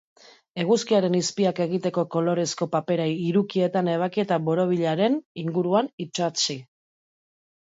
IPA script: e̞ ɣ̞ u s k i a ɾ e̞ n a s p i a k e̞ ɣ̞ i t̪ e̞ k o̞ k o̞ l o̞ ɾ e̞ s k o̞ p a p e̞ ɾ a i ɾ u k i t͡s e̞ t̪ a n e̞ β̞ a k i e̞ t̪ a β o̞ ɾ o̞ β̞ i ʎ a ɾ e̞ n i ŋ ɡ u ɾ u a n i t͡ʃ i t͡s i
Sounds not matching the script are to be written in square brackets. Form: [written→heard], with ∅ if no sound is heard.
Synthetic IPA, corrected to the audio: e̞ ɣ̞ u s k i a ɾ e̞ n [a→i] s p i a k e̞ ɣ̞ i t̪ e̞ k o̞ k o̞ l o̞ ɾ e̞ s k o̞ p a p e̞ ɾ a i ɾ u k i [t͡s→∅] e̞ t̪ a n e̞ β̞ a k i e̞ t̪ a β o̞ ɾ o̞ β̞ i ʎ a ɾ e̞ n i ŋ ɡ u ɾ u a n i t͡ʃ [i→a] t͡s i